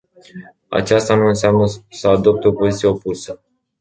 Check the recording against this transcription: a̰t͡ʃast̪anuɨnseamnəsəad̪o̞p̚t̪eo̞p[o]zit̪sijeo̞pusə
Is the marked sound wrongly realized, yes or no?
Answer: no